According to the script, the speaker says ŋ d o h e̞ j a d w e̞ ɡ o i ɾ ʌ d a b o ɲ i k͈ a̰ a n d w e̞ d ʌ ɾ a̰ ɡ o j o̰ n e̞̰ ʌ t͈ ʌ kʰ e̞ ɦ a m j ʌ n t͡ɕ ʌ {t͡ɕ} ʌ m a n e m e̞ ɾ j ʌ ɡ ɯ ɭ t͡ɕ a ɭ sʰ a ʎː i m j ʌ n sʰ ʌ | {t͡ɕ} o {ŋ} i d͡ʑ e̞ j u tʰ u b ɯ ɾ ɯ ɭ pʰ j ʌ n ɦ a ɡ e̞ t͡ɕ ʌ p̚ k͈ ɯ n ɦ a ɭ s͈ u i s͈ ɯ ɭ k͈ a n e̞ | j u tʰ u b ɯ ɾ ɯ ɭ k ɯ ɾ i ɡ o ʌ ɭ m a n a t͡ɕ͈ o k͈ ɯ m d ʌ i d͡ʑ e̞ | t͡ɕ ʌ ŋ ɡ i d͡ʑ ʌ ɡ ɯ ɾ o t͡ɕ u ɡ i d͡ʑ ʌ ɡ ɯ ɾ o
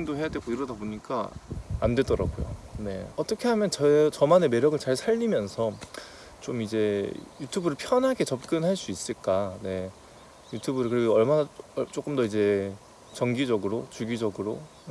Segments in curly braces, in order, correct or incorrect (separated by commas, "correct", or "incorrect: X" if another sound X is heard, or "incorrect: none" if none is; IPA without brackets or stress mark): correct, correct, incorrect: m